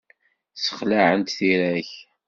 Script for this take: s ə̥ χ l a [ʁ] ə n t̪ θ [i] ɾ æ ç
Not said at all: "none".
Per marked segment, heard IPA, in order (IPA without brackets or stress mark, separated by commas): ʕ, i